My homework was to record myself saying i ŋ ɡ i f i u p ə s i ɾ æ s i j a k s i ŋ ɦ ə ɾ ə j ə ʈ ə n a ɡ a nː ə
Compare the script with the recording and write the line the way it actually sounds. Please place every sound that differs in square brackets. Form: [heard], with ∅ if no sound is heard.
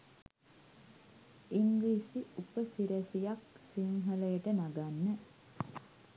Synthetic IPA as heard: i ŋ ɡ i [s] i u p ə s i ɾ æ s i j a k s i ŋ ɦ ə [l] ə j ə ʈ ə n a ɡ a nː ə